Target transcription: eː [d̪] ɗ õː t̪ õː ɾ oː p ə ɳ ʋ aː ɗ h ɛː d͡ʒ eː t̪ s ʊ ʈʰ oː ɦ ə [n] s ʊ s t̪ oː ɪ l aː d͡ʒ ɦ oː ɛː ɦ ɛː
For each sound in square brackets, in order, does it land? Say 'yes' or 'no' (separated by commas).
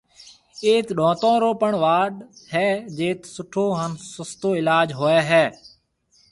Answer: no, yes